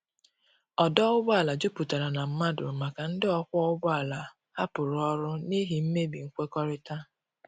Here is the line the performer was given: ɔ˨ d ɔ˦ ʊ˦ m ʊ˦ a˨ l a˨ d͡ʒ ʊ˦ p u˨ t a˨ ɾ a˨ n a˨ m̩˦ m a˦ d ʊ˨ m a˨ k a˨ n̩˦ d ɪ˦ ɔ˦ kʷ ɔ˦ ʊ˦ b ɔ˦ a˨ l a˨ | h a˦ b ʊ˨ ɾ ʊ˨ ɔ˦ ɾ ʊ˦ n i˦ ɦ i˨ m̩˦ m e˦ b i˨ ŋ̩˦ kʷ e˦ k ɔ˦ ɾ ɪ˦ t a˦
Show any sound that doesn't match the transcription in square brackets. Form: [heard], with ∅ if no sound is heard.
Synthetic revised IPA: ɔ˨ d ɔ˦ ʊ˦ [b] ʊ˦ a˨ l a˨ d͡ʒ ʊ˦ p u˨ t a˨ ɾ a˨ n a˨ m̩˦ m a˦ d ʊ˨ m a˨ k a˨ n̩˦ d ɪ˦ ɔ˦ kʷ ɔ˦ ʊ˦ b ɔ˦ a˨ l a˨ | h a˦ [p] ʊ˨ ɾ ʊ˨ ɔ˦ ɾ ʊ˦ n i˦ ɦ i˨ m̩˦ m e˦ b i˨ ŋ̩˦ kʷ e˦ k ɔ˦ ɾ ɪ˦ t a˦